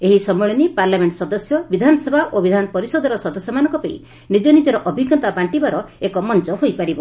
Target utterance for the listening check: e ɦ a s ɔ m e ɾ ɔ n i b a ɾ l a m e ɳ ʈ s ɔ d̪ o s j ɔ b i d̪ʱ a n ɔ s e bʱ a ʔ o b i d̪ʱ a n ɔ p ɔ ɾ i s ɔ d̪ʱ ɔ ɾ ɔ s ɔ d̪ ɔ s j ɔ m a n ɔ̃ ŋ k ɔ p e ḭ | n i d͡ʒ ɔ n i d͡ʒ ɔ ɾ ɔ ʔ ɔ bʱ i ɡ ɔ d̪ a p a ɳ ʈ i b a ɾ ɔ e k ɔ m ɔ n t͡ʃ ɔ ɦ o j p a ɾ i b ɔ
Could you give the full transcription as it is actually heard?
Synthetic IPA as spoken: e ɦ i s ɔ m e ɭ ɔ n i p a ɾ l a m e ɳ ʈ s ɔ d̪ ɔ s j ɔ b i d̪ʱ a n ɔ s e bʱ a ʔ o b i d̪ʱ a n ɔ p ɔ ɾ i s ɔ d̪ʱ ɔ ɾ ɔ s ɔ d̪ ɔ s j ɔ m a n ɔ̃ ŋ k ɔ p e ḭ | n i d͡ʒ ɔ n i d͡ʒ ɔ ɾ ɔ ʔ ɔ bʱ i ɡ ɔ t̪ a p a ɳ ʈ i b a ɾ ɔ e k ɔ m ɔ n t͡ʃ ɔ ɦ o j p a ɾ i b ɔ

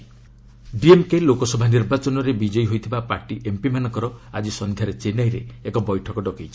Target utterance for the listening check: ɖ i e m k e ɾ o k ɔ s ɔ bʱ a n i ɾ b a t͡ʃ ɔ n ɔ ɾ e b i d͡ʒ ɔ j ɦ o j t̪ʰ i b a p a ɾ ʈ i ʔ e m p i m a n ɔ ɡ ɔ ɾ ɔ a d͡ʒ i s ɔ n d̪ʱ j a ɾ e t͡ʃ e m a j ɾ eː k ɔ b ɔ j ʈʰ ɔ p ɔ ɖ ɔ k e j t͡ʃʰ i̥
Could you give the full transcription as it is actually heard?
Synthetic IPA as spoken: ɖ i e m k e l o k ɔ s ɔ bʱ a n i ɾ b a t͡ʃ ɔ n ɔ ɾ e b i d͡ʒ ɔ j ɦ o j t̪ʰ i b a p a ɾ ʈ i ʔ e m p i m a n ɔ k ɔ ɾ ɔ a d͡ʒ i s ɔ n d̪ʱ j a ɾ e t͡ʃ e n a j ɾ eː k ɔ b ɔ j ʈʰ ɔ k ɔ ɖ ɔ k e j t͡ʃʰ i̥

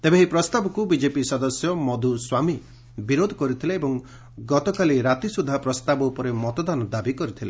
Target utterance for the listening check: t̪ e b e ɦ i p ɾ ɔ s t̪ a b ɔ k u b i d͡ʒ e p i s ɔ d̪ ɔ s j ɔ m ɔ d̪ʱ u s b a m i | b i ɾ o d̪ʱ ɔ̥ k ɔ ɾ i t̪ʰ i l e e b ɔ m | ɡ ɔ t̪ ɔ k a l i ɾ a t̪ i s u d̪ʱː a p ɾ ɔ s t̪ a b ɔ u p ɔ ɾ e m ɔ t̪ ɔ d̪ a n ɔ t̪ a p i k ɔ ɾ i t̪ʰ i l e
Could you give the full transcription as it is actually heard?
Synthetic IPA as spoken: t̪ e b e ɦ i p ɾ ɔ s t̪ a b ɔ k u b i d͡ʒ e p i s ɔ d̪ ɔ s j ɔ m ɔ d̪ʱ u s w a m i | b i ɾ o d̪ʱ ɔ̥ k ɔ ɾ i t̪ʰ i l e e b ɔ ŋ | ɡ ɔ t̪ ɔ k a l i ɾ a t̪ i s u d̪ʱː a p ɾ ɔ s t̪ a b ɔ u p ɔ ɾ e m ɔ t̪ ɔ d̪ a n ɔ d̪ a b i k ɔ ɾ i t̪ʰ i l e

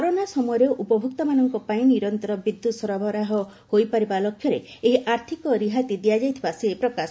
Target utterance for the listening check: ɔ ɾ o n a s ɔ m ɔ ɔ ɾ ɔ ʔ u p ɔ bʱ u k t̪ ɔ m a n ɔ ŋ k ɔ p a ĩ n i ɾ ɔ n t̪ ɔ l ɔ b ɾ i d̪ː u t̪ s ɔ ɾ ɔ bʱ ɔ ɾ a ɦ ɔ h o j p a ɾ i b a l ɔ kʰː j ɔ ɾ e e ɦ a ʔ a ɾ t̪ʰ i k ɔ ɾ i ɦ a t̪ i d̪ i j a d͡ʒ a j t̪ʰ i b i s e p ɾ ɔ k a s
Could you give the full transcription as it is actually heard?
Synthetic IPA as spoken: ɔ ɾ o n a s ɔ m ɔ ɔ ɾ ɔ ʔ u p ɔ bʱ u k t̪ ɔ m a n ɔ ŋ k ɔ p a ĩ n i ɾ ɔ n t̪ ɔ ɾ ɔ b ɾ i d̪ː u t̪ s ɔ ɾ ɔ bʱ ɔ ɾ a ɦ ɔ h o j p a ɾ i b a l ɔ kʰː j ɔ ɾ e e ɦ i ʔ a ɾ t̪ʰ i k ɔ ɾ i ɦ a t̪ i d̪ i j a d͡ʒ a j t̪ʰ i b a s e p ɾ ɔ k a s

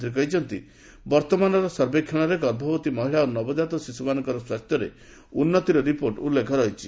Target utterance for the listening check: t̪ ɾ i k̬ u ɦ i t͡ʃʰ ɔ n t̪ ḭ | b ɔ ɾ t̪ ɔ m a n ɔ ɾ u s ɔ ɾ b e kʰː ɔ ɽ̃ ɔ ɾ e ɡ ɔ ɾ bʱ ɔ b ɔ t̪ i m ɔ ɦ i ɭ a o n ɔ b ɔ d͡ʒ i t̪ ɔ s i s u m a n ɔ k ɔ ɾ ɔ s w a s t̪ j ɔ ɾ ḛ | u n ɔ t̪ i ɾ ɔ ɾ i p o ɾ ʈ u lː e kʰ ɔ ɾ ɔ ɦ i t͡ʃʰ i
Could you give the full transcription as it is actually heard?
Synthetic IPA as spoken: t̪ ɾ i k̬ ɔ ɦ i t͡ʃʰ ɔ n t̪ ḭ | b ɔ ɾ t̪ ɔ m a n ɔ ɾ ɔ s ɔ ɾ b e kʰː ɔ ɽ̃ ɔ ɾ e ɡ ɔ ɾ bʱ ɔ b ɔ t̪ i m ɔ ɦ i ɭ a o n ɔ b ɔ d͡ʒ a t̪ ɔ s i s u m a n ɔ k ɔ ɾ ɔ s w a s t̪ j ɔ ɾ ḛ | u nː ɔ t̪ i ɾ ɔ ɾ i p o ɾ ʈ u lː e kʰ ɔ ɾ ɔ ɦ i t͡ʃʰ i

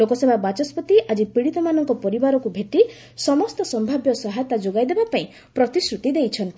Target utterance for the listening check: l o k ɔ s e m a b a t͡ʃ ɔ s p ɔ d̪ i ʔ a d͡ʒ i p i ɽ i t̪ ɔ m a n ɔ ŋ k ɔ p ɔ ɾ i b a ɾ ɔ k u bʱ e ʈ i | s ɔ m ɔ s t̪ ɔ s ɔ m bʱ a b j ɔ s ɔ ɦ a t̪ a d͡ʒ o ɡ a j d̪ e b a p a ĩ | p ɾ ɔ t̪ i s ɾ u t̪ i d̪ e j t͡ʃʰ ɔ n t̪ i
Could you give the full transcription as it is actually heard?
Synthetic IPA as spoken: l o k ɔ s e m a b a t͡ʃ ɔ s p ɔ t̪ i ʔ a d͡ʒ i p i ɽ i t̪ ɔ m a n ɔ ŋ k ɔ p ɔ ɾ i b a ɾ ɔ k u bʱ e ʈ i | s ɔ m ɔ s t̪ ɔ s ɔ m bʱ a b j ɔ s ɔ ɦ a t̪ a d͡ʒ o ɡ a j d̪ e b a p a ĩ | p ɾ ɔ t̪ i s ɾ u t̪ i d̪ e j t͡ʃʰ ɔ n t̪ i

